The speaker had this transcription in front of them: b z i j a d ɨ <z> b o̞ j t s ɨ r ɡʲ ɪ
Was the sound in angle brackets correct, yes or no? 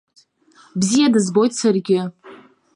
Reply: yes